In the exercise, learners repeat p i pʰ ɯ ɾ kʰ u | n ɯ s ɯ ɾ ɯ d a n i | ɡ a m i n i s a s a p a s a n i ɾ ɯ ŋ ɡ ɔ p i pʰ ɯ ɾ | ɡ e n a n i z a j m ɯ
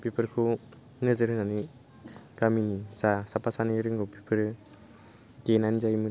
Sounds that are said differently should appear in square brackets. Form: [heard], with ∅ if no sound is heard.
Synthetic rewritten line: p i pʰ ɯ ɾ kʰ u | n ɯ [z] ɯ ɾ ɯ [n] a n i | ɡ a m i n i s a s a p a s a n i ɾ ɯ ŋ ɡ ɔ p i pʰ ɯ ɾ | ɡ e n a n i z a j m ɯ